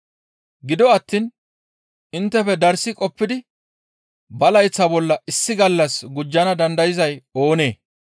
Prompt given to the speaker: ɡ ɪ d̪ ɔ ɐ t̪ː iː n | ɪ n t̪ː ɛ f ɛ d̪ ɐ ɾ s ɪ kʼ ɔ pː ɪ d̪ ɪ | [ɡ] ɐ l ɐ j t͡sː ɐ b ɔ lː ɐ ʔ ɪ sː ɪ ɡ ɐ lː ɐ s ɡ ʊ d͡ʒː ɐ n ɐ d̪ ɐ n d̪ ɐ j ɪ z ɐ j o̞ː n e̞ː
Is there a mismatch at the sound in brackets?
yes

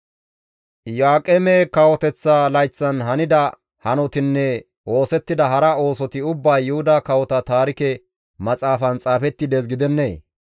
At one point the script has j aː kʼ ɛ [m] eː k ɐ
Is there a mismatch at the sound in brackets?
no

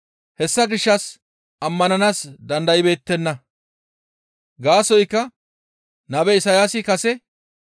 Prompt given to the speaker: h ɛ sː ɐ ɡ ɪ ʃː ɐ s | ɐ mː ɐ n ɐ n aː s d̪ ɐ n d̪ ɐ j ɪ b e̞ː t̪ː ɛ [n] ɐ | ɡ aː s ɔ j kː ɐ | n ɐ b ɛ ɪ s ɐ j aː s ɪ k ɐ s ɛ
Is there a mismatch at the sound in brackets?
yes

